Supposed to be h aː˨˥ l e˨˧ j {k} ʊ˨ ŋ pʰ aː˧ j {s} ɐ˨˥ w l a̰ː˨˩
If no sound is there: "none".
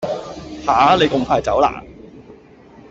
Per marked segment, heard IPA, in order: k, t͡s

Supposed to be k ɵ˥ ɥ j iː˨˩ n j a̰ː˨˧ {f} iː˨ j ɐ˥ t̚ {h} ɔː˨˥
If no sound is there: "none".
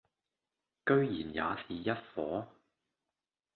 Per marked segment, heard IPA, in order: s, f

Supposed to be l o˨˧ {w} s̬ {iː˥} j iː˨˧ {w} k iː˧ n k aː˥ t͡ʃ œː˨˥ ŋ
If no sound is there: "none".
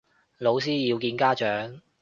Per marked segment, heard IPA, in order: w, iː˥, w

